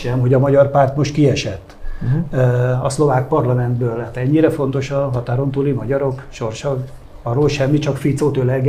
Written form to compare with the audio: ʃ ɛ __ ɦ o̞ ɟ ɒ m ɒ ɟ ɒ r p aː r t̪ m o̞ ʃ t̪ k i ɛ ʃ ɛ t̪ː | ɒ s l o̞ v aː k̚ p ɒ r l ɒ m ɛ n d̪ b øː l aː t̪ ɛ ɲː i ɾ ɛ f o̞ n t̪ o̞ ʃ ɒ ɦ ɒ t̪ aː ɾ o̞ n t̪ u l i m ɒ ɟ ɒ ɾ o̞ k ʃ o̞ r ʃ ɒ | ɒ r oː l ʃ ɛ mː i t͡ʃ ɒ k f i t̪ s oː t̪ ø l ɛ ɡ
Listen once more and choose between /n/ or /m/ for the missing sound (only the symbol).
m